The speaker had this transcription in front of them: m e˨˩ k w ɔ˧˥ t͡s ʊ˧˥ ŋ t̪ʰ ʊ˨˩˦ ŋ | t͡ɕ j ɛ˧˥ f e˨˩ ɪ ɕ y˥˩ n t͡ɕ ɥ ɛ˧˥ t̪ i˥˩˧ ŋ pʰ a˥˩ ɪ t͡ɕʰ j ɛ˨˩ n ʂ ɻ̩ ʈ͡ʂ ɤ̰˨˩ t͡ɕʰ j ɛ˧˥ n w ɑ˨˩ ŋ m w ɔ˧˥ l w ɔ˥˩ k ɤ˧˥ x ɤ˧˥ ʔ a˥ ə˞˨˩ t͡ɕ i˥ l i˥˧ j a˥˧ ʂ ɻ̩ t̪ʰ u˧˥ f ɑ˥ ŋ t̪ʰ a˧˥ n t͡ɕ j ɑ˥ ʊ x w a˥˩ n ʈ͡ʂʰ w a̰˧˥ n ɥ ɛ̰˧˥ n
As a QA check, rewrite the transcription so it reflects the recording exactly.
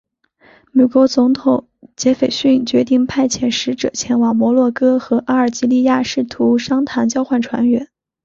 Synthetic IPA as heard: m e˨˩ k w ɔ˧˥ t͡s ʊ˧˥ ŋ t̪ʰ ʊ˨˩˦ ŋ | t͡ɕ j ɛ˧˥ f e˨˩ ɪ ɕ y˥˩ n t͡ɕ ɥ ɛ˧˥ t̪ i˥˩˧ ŋ pʰ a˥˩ ɪ t͡ɕʰ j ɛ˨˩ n ʂ ɻ̩ ʈ͡ʂ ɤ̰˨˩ t͡ɕʰ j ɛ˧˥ n w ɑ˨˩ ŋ m w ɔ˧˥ l w ɔ˥˩ k ɤ˥ x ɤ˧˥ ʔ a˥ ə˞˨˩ t͡ɕ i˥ l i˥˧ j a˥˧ ʂ ɻ̩ t̪ʰ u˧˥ ʂ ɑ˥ ŋ t̪ʰ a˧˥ n t͡ɕ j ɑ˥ ʊ x w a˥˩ n ʈ͡ʂʰ w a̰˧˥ n ɥ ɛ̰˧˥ n

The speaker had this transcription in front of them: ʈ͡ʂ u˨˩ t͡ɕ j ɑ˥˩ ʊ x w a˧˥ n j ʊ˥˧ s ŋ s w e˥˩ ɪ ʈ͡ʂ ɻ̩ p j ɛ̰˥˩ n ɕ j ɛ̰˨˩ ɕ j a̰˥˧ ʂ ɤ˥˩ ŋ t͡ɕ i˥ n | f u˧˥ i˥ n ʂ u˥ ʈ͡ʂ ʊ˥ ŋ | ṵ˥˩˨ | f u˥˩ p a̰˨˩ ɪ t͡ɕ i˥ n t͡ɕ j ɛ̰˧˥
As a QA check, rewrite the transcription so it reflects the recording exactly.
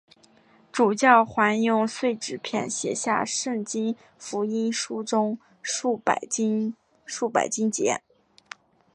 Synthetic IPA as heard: ʈ͡ʂ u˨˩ t͡ɕ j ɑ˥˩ ʊ x w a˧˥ n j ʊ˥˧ ŋ s w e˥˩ ɪ ʈ͡ʂ ɻ̩ pʰ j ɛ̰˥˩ n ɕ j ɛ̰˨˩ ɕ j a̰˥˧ ʂ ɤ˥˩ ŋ t͡ɕ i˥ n | f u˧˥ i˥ n ʂ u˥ ʈ͡ʂ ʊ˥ ŋ | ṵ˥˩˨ | ʂ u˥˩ p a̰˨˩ ɪ t͡ɕ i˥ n t͡ɕ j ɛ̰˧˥

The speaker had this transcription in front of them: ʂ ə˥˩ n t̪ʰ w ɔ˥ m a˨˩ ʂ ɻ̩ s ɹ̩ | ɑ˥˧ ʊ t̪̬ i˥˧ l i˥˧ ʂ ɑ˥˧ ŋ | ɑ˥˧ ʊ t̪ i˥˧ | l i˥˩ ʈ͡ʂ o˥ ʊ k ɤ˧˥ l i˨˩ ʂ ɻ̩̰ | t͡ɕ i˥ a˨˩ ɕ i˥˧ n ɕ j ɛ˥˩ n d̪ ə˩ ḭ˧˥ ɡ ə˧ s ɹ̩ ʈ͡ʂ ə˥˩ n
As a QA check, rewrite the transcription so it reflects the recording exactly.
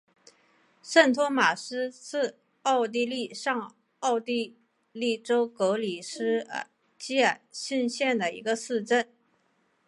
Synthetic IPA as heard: ʂ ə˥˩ n t̪ʰ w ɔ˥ m a˨˩ ʂ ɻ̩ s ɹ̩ | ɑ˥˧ ʊ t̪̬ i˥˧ l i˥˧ ʂ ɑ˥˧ ŋ | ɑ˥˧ ʊ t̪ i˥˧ | l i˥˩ ʈ͡ʂ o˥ ʊ k ɤ˧˥ l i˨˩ ʂ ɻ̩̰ | t͡ɕ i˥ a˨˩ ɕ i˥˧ n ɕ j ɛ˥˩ n d̪ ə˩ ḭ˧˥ ɡ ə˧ s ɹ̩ ʈ͡ʂ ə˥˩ n

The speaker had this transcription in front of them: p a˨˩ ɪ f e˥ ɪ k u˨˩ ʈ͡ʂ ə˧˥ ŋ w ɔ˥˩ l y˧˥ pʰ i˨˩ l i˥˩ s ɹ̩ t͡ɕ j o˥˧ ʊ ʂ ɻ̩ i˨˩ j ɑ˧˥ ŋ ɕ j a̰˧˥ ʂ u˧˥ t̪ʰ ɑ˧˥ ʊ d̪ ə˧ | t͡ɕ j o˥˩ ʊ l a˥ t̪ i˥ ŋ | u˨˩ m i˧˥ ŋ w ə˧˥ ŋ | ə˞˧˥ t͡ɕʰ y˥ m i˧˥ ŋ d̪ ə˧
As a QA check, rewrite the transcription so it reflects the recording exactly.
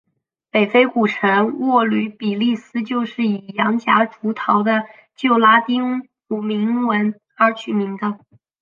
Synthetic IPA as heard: p e˨˩ ɪ f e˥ ɪ k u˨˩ ʈ͡ʂʰ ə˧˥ ŋ w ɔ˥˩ l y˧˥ p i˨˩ l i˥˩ s ɹ̩ t͡ɕ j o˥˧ ʊ ʂ ɻ̩ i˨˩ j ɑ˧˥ ŋ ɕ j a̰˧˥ ʈ͡ʂ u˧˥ t̪ʰ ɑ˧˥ ʊ d̪ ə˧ | t͡ɕ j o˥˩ ʊ l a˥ t̪ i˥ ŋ | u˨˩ m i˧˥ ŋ w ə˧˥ n | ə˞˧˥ t͡ɕʰ y˨˩ m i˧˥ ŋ d̪ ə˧

